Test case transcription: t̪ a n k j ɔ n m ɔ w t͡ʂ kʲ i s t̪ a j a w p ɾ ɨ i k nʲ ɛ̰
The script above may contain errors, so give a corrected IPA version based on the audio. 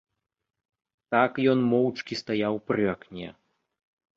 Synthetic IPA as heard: t̪ a k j ɔ n m ɔ w t͡ʂ kʲ i s t̪ a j a w p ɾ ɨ a k nʲ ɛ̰